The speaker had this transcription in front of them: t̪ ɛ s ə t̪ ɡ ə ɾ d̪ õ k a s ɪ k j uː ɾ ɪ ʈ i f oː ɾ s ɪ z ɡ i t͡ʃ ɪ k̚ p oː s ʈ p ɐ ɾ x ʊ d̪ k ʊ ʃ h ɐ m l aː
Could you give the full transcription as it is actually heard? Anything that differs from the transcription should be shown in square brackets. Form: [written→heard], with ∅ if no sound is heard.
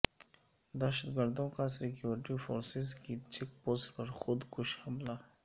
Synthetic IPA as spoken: [t̪→d̪] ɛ [s→ʃ] ə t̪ ɡ ə ɾ d̪ õ k a s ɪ k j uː ɾ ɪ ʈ i f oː ɾ s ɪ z [ɡ→k] i t͡ʃ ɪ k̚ p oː s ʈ p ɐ ɾ x ʊ d̪ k ʊ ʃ h ɐ m l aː